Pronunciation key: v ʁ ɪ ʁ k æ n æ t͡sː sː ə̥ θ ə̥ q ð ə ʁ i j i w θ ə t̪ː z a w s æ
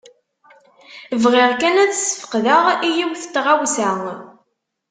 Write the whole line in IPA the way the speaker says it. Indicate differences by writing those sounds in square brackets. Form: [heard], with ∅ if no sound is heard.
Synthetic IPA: v ʁ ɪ ʁ k æ n æ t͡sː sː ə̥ [f] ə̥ q ð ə ʁ i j i w θ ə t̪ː [ʁ] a w s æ